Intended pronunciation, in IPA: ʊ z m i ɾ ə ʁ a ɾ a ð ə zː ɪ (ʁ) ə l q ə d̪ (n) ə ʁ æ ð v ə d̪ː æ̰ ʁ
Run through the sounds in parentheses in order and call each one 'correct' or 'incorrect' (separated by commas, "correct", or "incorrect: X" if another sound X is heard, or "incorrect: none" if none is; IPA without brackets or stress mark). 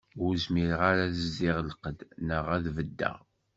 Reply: correct, correct